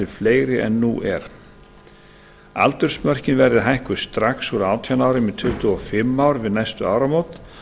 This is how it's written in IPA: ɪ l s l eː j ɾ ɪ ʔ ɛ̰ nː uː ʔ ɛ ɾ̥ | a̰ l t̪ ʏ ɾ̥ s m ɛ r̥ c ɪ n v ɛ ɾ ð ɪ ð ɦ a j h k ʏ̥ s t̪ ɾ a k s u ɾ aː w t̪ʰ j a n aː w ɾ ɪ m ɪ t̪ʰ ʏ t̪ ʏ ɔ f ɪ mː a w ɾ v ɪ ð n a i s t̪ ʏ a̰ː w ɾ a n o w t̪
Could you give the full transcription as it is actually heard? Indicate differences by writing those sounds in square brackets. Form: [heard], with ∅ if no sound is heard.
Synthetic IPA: ɪ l [f] l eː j ɾ ɪ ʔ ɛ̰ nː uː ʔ ɛ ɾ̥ | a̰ l t̪ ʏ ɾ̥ s m [œ] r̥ c ɪ n v ɛ ɾ ð ɪ ð ɦ a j h k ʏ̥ s t̪ ɾ a k s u ɾ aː w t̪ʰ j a n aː w ɾ ɪ m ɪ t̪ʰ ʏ t̪ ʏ ɔ f ɪ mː a w ɾ v ɪ ð n a [j] s t̪ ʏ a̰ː w ɾ a [m] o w t̪